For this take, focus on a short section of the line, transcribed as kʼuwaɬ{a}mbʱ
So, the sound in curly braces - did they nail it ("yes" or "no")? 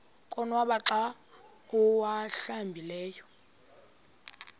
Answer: yes